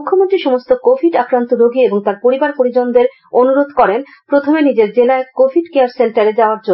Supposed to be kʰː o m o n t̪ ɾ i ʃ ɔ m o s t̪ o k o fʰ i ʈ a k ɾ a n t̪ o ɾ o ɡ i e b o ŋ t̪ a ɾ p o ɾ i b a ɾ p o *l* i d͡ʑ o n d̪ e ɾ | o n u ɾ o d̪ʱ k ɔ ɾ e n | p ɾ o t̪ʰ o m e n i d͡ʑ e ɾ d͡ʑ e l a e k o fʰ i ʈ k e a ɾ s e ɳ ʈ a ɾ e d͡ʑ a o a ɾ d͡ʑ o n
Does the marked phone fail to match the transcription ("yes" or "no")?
yes